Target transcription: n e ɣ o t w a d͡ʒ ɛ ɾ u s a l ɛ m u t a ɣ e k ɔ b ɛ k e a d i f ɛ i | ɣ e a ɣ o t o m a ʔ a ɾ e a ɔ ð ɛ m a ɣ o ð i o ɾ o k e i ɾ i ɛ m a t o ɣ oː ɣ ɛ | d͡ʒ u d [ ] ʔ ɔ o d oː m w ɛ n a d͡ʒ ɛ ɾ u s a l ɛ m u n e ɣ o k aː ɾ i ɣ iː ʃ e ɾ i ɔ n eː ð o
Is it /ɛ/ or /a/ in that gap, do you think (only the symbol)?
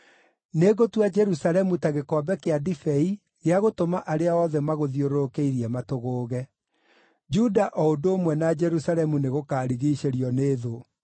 a